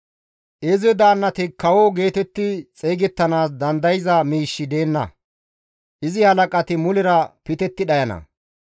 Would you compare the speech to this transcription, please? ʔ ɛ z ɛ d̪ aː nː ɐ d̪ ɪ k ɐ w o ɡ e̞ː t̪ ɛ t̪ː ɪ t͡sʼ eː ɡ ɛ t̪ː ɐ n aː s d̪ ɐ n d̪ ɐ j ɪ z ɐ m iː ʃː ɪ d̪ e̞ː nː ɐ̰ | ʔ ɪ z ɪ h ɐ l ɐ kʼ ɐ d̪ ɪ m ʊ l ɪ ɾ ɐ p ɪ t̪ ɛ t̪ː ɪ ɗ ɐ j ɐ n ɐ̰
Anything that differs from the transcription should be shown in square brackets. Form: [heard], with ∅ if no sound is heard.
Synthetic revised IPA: ʔ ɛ z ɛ d̪ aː nː ɐ [t̪] ɪ k ɐ w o ɡ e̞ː t̪ ɛ t̪ː ɪ t͡sʼ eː ɡ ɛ t̪ː ɐ n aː s d̪ ɐ n d̪ ɐ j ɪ z ɐ m iː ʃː ɪ d̪ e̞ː nː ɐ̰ | ʔ ɪ z ɪ h ɐ l ɐ kʼ ɐ [t̪] ɪ m ʊ l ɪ ɾ ɐ p ɪ t̪ ɛ t̪ː ɪ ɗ ɐ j ɐ n ɐ̰